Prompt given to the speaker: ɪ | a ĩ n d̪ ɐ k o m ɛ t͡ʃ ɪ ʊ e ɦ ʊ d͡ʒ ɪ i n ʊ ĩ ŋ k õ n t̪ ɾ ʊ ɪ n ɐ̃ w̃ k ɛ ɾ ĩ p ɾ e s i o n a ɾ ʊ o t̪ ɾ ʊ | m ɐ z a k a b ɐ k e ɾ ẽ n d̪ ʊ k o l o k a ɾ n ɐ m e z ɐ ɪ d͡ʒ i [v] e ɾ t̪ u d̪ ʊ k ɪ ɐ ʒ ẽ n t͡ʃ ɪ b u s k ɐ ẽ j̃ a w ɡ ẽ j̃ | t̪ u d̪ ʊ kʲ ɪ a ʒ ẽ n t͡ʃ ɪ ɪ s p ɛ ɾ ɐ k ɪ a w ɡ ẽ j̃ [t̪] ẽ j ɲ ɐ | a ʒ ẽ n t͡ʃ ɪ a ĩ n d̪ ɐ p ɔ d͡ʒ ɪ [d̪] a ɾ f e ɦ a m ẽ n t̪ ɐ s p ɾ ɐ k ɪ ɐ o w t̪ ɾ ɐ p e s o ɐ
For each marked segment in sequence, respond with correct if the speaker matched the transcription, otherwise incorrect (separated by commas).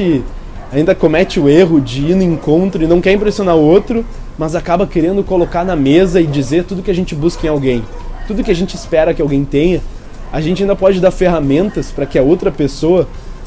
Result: incorrect, correct, correct